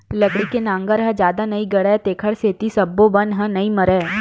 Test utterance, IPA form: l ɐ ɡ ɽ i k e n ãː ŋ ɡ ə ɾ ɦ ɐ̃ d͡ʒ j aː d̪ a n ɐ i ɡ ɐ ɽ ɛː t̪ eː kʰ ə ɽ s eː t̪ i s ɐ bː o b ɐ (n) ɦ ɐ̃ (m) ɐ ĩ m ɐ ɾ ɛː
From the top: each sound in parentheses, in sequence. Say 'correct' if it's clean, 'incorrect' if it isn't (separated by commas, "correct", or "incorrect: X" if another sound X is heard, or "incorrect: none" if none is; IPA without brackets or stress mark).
correct, incorrect: n